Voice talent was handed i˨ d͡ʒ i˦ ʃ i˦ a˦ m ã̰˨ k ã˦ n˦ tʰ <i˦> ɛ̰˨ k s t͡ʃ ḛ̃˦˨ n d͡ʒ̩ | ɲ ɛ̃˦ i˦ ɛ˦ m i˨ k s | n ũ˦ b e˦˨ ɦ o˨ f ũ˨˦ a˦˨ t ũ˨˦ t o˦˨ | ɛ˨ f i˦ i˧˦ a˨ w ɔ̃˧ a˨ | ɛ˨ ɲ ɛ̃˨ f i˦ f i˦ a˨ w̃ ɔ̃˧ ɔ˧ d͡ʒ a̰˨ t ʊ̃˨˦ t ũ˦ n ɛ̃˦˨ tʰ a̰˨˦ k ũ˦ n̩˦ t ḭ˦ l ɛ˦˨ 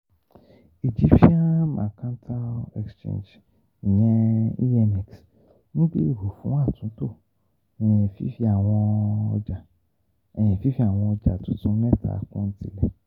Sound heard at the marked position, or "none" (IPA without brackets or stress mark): a˦